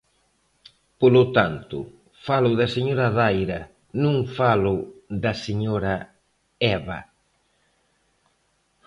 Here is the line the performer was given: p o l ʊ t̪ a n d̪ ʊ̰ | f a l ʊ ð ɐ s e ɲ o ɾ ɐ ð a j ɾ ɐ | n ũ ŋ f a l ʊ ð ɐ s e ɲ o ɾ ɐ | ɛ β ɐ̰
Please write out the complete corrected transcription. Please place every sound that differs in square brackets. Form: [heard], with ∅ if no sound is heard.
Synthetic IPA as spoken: p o l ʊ t̪ a n [t̪] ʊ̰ | f a l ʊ ð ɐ s e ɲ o ɾ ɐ ð a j ɾ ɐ | n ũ ŋ f a l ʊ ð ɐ s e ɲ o ɾ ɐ | ɛ β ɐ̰